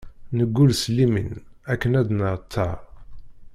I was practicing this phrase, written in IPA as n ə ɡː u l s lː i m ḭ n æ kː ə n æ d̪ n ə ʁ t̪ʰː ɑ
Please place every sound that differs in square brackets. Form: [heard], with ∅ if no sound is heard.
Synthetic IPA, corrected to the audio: n ə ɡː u l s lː i m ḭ n æ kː ə n æ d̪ n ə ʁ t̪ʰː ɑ